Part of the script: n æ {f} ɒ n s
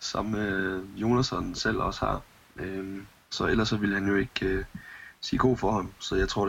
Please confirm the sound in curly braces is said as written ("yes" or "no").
no